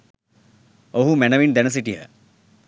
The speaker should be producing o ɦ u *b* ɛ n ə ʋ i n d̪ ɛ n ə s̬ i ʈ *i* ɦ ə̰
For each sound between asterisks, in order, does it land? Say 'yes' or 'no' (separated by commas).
no, yes